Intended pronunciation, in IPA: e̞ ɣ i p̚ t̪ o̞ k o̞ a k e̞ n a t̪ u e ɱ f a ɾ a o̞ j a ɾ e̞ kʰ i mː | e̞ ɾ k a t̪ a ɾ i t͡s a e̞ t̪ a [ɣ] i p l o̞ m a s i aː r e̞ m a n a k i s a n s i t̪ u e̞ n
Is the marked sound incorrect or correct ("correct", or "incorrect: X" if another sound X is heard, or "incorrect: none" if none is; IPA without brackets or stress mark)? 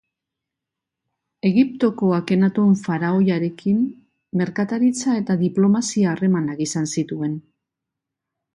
incorrect: ð